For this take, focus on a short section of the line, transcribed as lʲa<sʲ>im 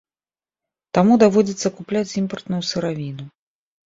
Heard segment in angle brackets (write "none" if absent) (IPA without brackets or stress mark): t͡sʲ